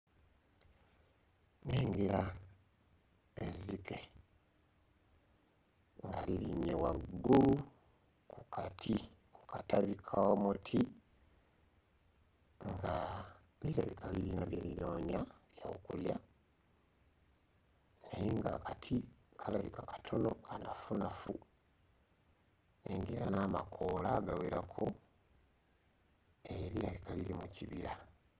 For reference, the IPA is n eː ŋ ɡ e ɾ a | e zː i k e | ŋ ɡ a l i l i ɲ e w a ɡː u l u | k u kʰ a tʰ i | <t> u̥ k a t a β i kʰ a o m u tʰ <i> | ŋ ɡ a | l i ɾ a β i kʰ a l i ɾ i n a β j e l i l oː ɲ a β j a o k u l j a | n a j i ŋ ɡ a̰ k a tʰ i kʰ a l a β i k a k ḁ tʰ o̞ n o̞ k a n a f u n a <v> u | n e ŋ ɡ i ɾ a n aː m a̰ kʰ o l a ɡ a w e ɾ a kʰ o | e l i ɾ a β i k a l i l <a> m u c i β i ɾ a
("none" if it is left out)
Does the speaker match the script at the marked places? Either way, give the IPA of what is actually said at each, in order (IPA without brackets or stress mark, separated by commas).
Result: k, i, f, i